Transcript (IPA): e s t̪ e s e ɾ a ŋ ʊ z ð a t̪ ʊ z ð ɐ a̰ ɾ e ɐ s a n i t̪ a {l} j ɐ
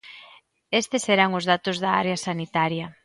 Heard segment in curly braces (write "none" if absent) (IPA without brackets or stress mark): ɾ